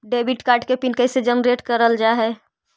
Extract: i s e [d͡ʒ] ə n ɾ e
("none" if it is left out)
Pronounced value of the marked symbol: d͡ʒ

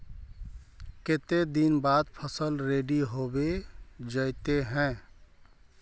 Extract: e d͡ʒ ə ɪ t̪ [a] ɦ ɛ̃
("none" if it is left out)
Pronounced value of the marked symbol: e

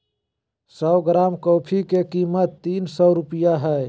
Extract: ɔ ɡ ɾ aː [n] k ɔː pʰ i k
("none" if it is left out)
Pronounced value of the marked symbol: m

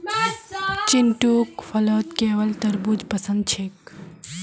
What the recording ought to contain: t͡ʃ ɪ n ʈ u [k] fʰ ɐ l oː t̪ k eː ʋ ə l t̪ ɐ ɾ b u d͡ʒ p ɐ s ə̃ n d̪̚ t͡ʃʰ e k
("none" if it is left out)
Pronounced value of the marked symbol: k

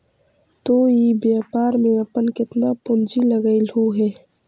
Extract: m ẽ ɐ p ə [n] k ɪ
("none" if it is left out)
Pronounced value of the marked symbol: n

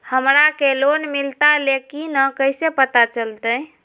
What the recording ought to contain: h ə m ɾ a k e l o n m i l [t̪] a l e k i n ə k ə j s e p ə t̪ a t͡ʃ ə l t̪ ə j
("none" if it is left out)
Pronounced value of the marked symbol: t̪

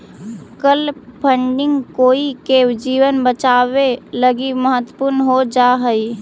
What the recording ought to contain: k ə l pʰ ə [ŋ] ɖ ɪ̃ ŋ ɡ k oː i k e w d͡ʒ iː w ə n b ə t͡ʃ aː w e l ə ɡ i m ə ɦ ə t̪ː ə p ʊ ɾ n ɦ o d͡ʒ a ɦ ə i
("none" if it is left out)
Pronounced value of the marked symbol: ɳ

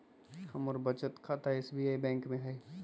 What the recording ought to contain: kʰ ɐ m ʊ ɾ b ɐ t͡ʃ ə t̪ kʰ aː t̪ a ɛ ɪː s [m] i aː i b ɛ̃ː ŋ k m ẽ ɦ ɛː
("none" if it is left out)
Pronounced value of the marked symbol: b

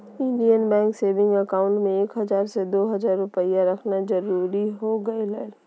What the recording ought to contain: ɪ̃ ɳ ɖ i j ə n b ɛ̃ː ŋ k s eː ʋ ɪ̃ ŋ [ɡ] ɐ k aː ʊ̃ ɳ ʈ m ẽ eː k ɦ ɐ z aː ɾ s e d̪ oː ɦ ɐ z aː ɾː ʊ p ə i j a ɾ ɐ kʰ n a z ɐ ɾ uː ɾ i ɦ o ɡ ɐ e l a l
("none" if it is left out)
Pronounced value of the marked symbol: ɡ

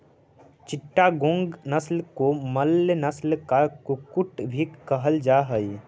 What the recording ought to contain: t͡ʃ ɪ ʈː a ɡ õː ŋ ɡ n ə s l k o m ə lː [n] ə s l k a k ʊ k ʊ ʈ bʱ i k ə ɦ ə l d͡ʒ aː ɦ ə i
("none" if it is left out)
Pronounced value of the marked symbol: n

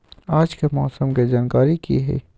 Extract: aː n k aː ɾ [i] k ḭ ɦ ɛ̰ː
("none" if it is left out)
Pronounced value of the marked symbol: i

